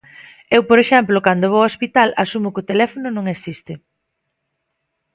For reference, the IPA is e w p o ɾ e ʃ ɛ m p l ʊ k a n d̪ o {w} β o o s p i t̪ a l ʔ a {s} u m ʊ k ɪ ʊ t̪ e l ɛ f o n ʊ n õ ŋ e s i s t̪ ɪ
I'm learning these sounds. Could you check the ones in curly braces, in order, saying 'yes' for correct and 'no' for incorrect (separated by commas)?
no, yes